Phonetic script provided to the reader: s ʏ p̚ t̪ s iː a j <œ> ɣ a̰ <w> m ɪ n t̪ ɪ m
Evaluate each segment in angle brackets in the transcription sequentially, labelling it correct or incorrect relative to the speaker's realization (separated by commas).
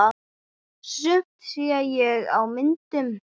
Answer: incorrect, correct